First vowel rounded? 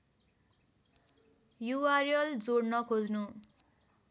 yes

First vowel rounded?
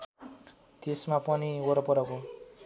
no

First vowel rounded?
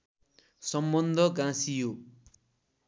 no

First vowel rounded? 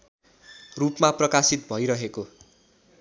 yes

